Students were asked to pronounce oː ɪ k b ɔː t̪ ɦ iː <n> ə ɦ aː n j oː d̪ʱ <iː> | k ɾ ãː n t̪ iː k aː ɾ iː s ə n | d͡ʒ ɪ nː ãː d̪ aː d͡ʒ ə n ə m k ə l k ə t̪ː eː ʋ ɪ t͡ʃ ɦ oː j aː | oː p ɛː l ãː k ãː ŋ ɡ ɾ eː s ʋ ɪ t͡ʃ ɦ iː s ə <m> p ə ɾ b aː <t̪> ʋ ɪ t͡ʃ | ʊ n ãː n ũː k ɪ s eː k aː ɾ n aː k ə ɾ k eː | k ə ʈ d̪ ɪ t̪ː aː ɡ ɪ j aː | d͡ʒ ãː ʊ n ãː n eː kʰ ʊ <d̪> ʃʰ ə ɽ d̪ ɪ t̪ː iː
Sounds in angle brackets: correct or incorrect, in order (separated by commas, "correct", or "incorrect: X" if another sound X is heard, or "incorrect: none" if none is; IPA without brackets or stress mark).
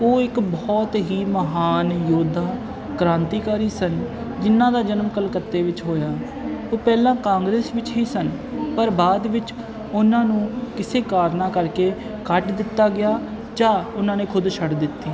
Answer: incorrect: m, incorrect: aː, incorrect: n, incorrect: d̪, correct